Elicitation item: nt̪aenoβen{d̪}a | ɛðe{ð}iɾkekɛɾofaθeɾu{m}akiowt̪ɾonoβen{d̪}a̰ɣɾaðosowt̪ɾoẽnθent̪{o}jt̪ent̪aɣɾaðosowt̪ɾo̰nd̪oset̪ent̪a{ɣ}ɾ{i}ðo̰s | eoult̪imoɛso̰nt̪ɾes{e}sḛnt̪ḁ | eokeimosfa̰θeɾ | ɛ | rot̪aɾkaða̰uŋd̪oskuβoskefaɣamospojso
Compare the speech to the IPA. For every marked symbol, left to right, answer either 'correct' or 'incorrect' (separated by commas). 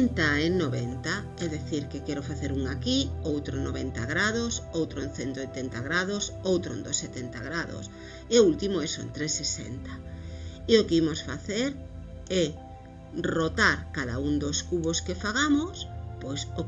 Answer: incorrect, incorrect, incorrect, incorrect, correct, correct, incorrect, correct